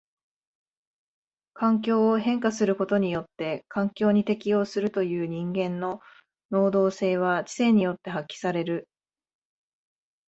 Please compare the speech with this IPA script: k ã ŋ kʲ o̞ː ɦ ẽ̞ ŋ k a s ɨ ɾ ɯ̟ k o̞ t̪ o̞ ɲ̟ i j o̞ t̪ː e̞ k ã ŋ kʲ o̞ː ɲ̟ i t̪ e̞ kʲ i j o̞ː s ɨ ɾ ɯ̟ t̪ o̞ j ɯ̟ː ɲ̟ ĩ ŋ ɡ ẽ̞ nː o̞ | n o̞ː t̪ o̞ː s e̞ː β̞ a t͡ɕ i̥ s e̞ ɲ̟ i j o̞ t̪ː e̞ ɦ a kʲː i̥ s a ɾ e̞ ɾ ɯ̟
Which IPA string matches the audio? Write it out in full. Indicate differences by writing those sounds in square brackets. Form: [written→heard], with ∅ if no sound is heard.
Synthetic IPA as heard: k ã ŋ kʲ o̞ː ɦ ẽ̞ ŋ k a s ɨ ɾ ɯ̟ k o̞ t̪ o̞ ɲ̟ i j o̞ t̪ː e̞ k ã ŋ kʲ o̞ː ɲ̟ i t̪ e̞ kʲ i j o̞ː s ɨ ɾ ɯ̟ t̪ o̞ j ɯ̟ː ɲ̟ ĩ ŋ ɡ ẽ̞ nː o̞ | n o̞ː [t̪→d̪] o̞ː s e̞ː β̞ a t͡ɕ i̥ s e̞ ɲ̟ i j o̞ t̪ː e̞ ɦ a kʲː i̥ s a ɾ e̞ ɾ ɯ̟